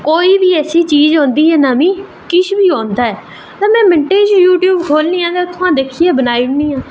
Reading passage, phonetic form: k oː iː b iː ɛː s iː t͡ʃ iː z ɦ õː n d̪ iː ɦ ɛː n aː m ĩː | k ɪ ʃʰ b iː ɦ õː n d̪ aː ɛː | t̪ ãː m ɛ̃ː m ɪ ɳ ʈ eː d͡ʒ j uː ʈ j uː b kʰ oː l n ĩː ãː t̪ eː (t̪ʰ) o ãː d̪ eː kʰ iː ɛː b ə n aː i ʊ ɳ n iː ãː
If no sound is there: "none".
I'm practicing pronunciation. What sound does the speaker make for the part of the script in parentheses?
t̪ʰ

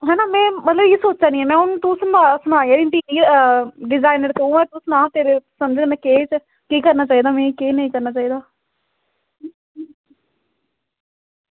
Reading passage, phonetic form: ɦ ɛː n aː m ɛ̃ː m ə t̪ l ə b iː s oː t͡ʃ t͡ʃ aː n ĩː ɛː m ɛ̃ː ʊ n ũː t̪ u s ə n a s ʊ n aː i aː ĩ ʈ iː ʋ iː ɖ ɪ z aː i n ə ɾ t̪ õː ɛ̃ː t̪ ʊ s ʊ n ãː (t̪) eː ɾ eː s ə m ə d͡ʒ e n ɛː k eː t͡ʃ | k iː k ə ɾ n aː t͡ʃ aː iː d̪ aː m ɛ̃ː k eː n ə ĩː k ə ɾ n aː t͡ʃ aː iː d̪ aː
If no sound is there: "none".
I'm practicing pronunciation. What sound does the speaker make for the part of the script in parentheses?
t̪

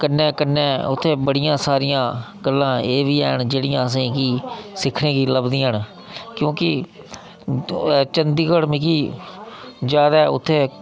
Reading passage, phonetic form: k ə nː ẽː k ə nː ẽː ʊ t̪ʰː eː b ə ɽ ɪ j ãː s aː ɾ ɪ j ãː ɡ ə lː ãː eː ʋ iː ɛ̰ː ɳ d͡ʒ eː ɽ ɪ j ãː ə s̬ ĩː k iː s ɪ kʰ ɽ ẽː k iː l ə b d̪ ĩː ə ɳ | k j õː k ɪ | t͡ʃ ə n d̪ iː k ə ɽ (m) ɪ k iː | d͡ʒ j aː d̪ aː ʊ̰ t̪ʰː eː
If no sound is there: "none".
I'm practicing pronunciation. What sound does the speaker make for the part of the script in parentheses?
m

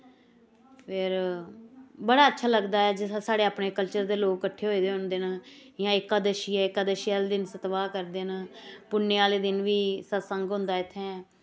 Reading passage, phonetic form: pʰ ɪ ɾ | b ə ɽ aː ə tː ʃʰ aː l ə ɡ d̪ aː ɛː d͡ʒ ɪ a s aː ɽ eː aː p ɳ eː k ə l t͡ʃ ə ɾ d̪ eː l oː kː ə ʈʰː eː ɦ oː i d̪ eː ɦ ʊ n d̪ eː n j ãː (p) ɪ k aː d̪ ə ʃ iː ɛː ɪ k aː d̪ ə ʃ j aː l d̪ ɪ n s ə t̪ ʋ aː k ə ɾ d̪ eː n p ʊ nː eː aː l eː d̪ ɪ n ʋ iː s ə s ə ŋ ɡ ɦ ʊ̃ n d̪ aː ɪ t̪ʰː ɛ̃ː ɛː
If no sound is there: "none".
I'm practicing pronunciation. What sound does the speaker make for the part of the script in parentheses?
none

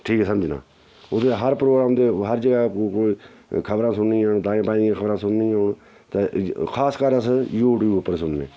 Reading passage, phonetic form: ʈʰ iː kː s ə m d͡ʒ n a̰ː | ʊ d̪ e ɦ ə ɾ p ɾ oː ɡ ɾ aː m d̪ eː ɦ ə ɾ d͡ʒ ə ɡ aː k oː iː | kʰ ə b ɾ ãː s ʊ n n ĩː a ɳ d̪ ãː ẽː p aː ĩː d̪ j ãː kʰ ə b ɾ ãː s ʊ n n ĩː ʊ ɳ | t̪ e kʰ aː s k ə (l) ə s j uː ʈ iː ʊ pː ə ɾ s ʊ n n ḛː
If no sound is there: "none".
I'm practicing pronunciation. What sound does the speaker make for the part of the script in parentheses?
ɾ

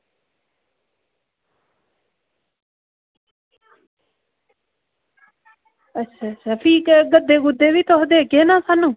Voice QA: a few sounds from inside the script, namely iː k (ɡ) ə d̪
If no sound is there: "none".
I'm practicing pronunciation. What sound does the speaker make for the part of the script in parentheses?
ɡ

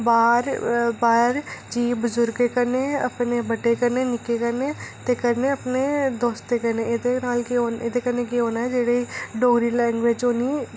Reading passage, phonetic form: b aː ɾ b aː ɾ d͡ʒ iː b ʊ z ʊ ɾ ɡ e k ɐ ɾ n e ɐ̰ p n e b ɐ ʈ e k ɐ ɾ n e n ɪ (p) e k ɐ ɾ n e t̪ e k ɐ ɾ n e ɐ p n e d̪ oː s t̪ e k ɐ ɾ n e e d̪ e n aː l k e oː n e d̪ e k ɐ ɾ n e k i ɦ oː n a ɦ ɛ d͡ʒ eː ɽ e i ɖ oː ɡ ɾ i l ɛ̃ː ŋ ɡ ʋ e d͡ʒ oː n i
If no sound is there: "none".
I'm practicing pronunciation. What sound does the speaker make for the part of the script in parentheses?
k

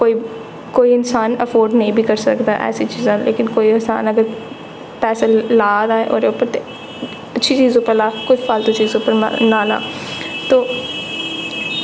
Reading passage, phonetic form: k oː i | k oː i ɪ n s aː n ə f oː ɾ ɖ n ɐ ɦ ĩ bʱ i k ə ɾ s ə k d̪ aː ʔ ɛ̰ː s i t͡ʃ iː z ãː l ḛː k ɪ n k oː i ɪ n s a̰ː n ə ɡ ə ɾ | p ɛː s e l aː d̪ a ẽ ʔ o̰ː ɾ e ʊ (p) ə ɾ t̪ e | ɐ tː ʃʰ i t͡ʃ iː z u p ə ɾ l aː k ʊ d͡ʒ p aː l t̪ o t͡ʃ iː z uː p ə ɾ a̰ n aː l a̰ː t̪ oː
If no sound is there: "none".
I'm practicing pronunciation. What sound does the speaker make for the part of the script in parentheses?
p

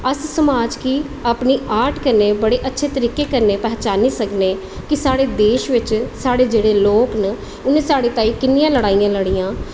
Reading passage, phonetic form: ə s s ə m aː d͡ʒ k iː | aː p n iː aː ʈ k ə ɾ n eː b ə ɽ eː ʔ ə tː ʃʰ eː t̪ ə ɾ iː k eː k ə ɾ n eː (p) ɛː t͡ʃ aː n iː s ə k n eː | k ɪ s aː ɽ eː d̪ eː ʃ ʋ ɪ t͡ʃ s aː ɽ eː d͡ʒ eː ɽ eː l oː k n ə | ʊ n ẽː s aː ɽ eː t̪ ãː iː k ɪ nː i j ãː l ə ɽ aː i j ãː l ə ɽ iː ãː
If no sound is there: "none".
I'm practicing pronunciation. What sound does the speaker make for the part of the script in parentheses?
p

